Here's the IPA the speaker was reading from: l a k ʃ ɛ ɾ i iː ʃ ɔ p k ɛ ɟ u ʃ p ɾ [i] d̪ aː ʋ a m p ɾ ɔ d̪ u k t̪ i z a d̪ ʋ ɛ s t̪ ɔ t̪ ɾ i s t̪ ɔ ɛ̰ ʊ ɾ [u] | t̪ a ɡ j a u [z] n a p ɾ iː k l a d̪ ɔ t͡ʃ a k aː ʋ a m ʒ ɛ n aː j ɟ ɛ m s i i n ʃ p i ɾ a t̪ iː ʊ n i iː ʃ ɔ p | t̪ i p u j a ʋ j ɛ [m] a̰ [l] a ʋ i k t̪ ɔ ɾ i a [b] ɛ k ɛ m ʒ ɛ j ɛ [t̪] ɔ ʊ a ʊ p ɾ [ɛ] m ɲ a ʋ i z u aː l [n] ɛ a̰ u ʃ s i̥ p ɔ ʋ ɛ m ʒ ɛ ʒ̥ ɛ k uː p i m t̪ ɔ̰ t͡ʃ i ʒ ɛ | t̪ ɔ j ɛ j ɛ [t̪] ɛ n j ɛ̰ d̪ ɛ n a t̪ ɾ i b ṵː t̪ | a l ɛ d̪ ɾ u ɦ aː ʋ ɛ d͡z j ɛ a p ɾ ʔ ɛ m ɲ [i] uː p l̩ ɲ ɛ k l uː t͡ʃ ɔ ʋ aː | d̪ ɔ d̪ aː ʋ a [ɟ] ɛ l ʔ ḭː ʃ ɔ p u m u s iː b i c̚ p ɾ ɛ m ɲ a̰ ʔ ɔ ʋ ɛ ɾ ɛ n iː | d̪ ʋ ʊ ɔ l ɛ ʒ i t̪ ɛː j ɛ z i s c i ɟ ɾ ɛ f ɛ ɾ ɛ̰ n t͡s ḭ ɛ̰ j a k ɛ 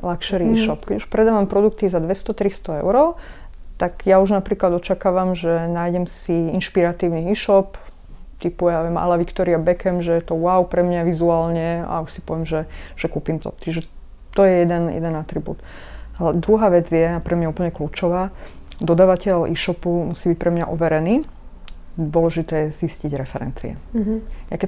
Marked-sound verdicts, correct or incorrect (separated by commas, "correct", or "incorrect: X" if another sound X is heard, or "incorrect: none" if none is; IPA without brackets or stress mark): incorrect: ɛ, incorrect: ɔ, incorrect: ʒ, correct, correct, correct, correct, correct, incorrect: ɲ, incorrect: d̪, incorrect: a, incorrect: c